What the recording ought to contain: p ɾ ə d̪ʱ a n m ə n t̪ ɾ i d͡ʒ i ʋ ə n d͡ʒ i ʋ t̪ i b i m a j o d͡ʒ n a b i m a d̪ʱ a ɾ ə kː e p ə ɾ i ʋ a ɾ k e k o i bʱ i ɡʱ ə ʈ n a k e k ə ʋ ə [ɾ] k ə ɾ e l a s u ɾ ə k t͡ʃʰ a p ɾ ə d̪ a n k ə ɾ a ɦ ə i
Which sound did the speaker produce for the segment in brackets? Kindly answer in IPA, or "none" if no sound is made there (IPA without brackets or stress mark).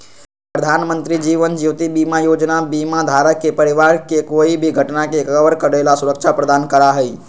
ɾ